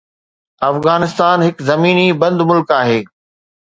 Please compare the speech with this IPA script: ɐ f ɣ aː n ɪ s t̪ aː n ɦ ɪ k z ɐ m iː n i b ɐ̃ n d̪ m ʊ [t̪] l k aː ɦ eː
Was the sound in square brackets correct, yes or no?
no